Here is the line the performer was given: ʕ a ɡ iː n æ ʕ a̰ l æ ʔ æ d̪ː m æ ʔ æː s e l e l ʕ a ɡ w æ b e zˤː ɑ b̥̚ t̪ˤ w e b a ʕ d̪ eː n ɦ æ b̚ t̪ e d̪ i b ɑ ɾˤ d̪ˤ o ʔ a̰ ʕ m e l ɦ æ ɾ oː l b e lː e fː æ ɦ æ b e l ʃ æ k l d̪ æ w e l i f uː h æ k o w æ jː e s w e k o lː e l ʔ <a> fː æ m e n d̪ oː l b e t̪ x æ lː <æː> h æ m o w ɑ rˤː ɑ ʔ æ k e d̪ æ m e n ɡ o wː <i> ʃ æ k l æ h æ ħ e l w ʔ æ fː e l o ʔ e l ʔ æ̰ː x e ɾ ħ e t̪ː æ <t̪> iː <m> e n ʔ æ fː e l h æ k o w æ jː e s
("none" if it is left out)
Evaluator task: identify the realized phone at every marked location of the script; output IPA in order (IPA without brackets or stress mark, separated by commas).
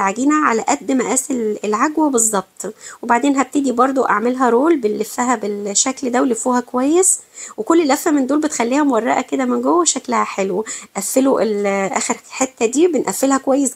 æ, iː, æ, d̪, b